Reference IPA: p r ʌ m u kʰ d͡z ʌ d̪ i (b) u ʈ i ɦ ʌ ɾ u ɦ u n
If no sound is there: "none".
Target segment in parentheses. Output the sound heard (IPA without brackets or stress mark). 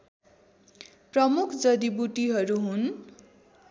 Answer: b